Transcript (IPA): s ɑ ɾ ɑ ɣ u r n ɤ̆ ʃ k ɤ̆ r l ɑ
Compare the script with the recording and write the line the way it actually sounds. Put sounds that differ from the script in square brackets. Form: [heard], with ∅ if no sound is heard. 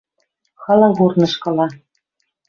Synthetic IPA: [x] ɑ [l] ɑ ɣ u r n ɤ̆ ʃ k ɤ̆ [∅] l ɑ